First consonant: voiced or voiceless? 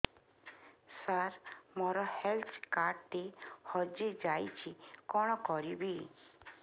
voiceless